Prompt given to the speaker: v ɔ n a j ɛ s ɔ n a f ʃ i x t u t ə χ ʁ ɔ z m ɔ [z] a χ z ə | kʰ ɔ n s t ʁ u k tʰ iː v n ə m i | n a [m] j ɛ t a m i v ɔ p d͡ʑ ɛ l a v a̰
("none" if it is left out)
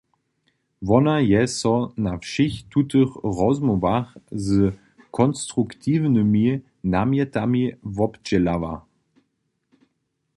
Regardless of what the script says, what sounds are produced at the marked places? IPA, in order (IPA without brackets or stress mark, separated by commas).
v, m